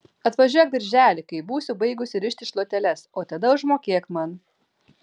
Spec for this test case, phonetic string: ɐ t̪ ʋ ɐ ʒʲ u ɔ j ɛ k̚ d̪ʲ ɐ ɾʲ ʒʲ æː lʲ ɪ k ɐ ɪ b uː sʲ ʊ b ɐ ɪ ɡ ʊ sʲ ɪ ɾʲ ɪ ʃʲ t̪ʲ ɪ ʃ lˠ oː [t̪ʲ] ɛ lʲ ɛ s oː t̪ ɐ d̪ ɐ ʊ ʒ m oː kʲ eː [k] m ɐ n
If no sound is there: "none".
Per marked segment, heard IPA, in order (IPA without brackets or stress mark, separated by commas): t̪ʲ, k